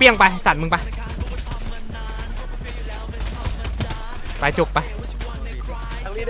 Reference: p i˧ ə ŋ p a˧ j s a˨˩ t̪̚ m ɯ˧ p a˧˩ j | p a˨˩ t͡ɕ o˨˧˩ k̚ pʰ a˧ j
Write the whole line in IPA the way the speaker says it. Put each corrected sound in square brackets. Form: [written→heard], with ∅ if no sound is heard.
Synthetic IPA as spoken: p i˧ ə ŋ p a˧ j s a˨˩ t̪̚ m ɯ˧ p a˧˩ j | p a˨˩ t͡ɕ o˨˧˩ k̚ [pʰ→p] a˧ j